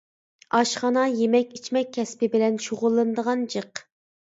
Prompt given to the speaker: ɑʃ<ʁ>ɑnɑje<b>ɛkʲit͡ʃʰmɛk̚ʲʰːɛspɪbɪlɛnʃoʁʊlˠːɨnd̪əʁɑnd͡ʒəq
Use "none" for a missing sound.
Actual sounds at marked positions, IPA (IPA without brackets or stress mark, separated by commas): χ, m